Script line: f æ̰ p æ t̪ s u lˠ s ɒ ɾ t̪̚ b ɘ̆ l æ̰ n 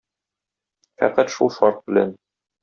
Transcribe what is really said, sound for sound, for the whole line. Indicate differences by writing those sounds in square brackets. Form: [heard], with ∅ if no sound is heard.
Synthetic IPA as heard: f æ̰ [q] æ t̪ [ʃ] u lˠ [ʃ] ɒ ɾ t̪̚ b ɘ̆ l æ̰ n